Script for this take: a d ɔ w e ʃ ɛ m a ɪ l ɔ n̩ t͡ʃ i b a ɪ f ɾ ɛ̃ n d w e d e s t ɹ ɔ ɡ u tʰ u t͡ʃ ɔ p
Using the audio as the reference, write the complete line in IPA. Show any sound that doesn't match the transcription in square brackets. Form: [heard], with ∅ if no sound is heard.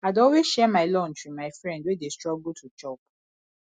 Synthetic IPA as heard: a d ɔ w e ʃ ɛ m a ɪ l ɔ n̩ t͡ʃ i [m] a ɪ f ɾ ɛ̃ n d w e d e s t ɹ ɔ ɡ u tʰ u t͡ʃ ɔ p

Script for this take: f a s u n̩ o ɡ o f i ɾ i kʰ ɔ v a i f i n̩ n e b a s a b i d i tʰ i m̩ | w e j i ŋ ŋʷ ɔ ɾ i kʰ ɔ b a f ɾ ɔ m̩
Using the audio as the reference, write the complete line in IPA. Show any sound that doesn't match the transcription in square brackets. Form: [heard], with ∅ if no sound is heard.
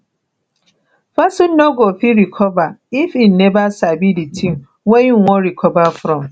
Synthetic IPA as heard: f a s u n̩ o ɡ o f i ɾ i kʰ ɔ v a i f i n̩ n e b a s a b i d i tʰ i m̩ | w e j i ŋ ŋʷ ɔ ɾ i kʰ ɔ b a f ɾ ɔ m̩

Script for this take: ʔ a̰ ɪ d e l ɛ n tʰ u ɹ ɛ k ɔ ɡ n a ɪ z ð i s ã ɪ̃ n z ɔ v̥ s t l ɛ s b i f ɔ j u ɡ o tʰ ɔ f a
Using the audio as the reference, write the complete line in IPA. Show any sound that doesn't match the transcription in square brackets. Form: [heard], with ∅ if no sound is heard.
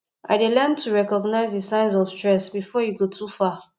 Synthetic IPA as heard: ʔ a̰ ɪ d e l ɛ n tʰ u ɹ ɛ k ɔ ɡ n a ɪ z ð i s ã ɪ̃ n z ɔ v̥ s t [ɹ] ɛ s b i f ɔ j u ɡ o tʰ [u] f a

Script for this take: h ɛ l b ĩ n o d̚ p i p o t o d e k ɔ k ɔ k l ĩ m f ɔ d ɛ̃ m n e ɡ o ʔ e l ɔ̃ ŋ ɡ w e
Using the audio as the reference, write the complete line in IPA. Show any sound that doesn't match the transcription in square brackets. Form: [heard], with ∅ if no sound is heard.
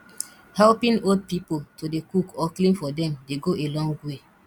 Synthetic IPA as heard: h ɛ l [p] ĩ n o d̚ p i p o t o d e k [u] k ɔ k l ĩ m f ɔ d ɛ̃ m [d] e ɡ o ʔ e l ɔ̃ ŋ ɡ w e

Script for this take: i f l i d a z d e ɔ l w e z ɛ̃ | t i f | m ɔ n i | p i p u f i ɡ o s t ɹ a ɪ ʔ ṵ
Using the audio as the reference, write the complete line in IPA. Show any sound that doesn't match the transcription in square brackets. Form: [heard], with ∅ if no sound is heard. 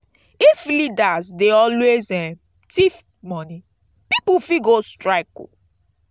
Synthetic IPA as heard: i f l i d a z d e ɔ l w e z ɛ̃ | t i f | m ɔ n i | p i p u f i ɡ o s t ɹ a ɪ [k] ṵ

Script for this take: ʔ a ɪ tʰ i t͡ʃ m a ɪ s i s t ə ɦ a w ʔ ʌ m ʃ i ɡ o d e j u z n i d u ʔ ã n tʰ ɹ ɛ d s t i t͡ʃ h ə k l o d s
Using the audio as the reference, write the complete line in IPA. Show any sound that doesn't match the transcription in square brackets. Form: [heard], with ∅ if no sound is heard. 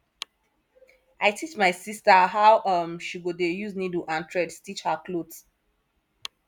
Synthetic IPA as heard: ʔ a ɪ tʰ i t͡ʃ m a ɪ s i s t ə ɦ a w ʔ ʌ m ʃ i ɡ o d e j u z n i d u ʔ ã n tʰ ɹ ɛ d s t i t͡ʃ h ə k l o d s

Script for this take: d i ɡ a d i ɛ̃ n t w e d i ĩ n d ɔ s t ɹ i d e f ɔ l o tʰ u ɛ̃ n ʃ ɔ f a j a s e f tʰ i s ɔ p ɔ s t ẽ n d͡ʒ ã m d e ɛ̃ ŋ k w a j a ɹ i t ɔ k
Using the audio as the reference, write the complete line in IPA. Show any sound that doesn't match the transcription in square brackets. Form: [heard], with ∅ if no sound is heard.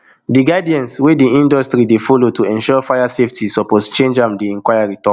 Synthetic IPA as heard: d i ɡ a d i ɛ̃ n [s] w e d i ĩ n d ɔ s t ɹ i d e f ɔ l o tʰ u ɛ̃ n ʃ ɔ f a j a s e f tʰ i s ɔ p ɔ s [t͡ʃ] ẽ n d͡ʒ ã m d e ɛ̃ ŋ k w a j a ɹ i t ɔ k

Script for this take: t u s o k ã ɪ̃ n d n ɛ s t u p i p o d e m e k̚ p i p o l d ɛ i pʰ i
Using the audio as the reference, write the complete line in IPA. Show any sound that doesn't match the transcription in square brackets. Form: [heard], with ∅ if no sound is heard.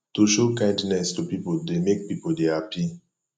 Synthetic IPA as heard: t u [ʃ] o k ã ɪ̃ n d n ɛ s t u p i p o d e m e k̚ p i p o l d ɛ [a] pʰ i

